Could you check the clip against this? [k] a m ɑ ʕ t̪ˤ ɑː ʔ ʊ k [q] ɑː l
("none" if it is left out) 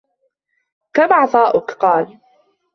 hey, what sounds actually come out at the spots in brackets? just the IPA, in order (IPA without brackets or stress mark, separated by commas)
k, q